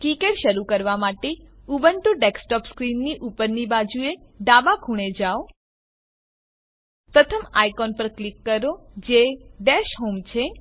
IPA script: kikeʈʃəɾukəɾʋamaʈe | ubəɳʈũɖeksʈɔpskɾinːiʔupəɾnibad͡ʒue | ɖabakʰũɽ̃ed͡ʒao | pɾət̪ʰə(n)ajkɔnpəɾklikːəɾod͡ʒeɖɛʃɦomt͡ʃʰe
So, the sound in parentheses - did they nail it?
no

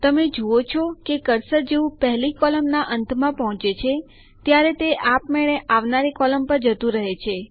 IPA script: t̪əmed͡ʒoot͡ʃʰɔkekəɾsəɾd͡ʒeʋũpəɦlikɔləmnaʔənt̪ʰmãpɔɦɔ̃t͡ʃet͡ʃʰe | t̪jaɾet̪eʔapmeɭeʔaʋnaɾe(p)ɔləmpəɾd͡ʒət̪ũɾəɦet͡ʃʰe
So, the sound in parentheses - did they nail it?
no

